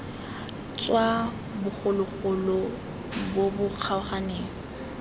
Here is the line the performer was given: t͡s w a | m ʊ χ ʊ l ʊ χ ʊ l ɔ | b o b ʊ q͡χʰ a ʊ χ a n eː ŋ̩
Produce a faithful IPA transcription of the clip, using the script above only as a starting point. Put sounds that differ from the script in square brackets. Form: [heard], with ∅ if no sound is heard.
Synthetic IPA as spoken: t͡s w a | [b] ʊ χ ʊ l ʊ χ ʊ l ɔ | b o b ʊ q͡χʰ a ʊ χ a n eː ŋ̩